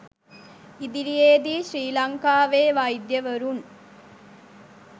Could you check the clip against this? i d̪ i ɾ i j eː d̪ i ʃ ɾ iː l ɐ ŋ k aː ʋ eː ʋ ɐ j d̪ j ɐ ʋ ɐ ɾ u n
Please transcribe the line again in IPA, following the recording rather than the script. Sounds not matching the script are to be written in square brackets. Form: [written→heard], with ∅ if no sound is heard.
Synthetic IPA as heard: i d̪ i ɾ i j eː d̪ i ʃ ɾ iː l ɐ ŋ k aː ʋ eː ʋ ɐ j d̪ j ɐ ʋ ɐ ɾ u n